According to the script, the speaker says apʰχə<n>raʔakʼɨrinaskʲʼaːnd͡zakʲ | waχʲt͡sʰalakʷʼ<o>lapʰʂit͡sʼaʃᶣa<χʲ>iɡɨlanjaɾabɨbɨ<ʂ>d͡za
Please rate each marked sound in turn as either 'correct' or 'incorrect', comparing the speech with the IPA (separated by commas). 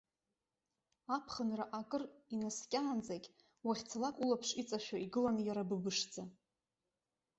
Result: correct, incorrect, incorrect, correct